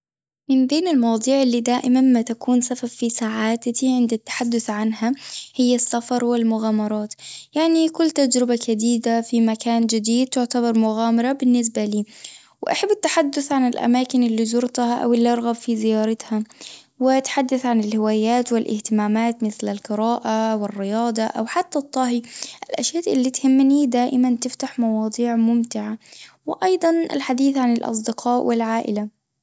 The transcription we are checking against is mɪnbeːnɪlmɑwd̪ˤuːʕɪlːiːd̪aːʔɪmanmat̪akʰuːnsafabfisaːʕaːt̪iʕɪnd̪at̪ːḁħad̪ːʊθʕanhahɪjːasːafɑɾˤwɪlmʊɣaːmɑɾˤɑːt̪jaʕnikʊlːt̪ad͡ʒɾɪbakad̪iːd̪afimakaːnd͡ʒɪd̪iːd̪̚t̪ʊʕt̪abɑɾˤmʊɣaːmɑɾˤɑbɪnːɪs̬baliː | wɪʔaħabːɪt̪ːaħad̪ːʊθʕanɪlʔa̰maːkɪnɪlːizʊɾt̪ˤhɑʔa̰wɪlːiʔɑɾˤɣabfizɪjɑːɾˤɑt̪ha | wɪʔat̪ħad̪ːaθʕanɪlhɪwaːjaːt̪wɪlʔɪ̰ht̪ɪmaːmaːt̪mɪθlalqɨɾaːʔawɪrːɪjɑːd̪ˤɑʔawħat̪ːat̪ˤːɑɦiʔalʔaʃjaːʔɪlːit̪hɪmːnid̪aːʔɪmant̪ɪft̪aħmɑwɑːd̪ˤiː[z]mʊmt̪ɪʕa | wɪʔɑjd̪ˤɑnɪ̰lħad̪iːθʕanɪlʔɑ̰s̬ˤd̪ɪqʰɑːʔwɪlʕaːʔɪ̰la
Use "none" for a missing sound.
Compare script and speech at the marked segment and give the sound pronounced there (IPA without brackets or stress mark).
ʕ